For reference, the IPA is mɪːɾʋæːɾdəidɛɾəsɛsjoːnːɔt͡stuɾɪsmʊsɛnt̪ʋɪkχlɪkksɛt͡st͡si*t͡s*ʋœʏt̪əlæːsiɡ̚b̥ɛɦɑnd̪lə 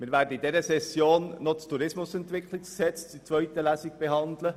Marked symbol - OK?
yes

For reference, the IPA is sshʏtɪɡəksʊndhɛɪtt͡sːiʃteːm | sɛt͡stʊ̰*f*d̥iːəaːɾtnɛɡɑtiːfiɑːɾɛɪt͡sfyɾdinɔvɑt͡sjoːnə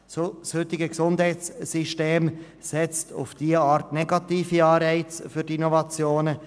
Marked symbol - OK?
yes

